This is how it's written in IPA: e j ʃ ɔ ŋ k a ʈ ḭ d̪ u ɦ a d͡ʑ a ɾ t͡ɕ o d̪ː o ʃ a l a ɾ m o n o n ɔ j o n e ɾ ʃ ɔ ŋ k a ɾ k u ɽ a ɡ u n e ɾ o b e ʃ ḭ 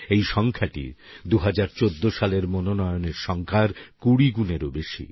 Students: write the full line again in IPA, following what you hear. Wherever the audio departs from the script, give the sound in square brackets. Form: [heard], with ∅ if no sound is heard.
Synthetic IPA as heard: e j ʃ ɔ ŋ [kʰ] a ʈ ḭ d̪ u ɦ a d͡ʑ a ɾ t͡ɕ o d̪ː o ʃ a l [e] ɾ m o n o n ɔ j o n e ɾ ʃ ɔ ŋ [kʰ] a ɾ k u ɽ [i] ɡ u n e ɾ o b e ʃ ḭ